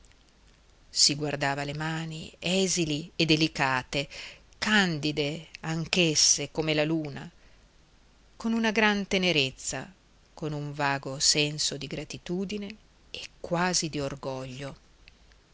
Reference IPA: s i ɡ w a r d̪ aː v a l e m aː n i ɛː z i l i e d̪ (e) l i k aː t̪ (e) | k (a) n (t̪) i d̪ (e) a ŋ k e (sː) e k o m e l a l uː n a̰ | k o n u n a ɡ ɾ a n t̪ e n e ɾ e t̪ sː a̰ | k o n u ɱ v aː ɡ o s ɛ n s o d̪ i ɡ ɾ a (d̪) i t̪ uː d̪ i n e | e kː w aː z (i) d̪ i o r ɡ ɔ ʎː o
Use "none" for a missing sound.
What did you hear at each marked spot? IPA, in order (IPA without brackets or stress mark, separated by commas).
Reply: e, e, a, d̪, e, sː, t̪, i